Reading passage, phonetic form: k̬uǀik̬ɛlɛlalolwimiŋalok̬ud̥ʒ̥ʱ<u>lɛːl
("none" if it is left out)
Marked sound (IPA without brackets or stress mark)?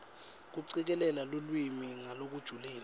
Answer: u